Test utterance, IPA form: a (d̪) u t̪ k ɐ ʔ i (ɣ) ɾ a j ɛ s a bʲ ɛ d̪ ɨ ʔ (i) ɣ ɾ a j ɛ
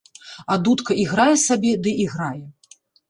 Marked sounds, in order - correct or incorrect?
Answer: correct, correct, correct

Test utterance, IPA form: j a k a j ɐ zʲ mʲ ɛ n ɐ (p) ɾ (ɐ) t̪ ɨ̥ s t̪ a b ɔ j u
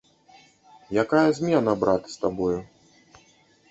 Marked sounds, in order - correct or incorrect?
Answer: incorrect: b, incorrect: a

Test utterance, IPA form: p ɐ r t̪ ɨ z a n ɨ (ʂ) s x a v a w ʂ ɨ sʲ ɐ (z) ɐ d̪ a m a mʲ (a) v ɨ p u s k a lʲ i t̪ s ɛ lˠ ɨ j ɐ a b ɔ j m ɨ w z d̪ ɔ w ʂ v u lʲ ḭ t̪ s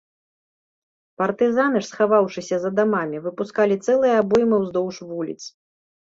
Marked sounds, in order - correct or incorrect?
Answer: correct, correct, incorrect: i

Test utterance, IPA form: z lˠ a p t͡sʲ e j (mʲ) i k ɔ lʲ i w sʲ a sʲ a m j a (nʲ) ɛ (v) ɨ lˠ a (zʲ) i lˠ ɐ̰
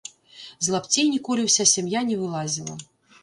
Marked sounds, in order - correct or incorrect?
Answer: incorrect: nʲ, correct, correct, correct

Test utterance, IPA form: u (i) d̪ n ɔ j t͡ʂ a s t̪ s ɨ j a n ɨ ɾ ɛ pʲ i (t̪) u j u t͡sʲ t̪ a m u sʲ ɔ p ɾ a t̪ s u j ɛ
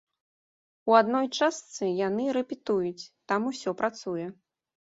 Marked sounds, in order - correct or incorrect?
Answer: incorrect: a, correct

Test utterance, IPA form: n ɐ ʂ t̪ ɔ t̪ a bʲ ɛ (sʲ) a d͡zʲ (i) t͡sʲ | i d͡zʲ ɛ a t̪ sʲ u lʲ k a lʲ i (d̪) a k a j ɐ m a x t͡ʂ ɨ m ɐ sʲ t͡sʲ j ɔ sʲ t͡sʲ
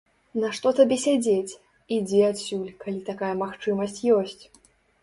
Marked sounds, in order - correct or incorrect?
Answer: correct, incorrect: e, incorrect: t̪

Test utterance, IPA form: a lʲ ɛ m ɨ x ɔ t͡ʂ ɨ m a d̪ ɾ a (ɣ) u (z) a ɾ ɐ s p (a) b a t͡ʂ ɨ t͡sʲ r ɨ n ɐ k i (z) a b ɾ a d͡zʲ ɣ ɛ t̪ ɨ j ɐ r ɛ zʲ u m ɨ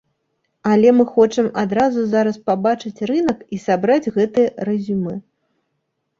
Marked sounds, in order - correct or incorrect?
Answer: incorrect: z, correct, correct, incorrect: s

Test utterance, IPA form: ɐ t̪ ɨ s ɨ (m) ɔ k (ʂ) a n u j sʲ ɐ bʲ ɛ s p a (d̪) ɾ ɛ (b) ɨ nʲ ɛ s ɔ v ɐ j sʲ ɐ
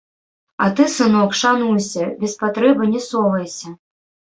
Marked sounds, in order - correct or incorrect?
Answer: incorrect: n, correct, incorrect: t̪, correct

